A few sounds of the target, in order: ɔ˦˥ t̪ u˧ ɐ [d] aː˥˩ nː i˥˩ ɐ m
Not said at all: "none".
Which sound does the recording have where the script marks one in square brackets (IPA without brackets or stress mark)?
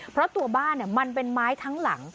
b